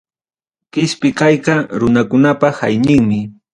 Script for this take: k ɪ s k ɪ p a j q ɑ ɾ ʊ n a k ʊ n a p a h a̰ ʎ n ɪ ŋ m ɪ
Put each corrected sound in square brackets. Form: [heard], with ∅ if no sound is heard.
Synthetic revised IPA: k ɪ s [p] ɪ [k] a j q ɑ ɾ ʊ n a k ʊ n a p a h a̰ [j] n ɪ ŋ m ɪ

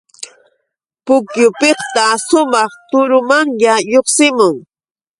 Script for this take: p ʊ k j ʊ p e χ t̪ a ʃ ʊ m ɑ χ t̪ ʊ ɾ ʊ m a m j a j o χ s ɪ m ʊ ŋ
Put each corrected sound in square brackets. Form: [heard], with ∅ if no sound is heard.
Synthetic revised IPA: p ʊ k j ʊ p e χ t̪ a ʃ ʊ m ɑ χ t̪ ʊ ɾ ʊ m a [ŋ] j a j o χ s ɪ m ʊ ŋ

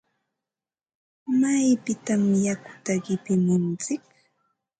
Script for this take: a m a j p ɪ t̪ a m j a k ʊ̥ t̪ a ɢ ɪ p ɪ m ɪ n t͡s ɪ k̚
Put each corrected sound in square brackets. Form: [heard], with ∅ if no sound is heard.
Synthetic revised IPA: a m a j p ɪ t̪ a m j a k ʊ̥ t̪ a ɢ ɪ p ɪ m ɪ n t͡s ɪ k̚

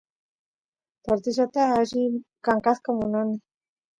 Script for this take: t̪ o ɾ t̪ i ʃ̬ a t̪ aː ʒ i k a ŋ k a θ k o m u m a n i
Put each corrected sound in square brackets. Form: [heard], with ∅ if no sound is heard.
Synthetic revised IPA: t̪ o ɾ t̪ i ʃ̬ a t̪ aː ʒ i k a ŋ k a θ k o m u [n] a n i

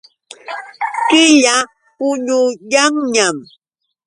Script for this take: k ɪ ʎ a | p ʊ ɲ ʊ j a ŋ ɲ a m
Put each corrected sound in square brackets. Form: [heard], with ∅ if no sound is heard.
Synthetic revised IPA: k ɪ ʎ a | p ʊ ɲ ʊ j a ŋ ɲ a m

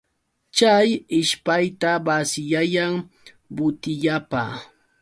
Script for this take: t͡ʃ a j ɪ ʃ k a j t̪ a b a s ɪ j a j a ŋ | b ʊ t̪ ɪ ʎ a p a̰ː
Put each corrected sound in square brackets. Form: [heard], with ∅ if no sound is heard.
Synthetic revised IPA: t͡ʃ a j ɪ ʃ [p] a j t̪ a b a s ɪ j a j a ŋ | b ʊ t̪ ɪ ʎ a p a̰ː

